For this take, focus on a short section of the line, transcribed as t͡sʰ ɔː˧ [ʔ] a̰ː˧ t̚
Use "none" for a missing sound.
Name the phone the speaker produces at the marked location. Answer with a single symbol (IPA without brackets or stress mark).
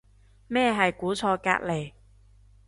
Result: k